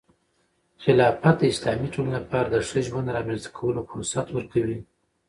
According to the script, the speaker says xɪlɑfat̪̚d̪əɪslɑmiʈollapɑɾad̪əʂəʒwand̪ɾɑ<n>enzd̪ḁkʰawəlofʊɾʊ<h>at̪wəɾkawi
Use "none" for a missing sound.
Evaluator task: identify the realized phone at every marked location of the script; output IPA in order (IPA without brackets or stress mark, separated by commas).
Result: m, s